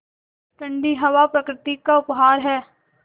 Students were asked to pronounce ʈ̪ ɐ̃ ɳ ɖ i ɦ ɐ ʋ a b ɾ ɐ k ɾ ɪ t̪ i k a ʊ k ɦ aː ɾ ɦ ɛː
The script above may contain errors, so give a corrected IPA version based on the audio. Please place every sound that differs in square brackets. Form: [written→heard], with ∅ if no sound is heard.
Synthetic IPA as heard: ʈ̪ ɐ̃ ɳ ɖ i ɦ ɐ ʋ a [b→p] ɾ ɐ k ɾ ɪ t̪ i k a ʊ [k→p] ɦ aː ɾ ɦ ɛː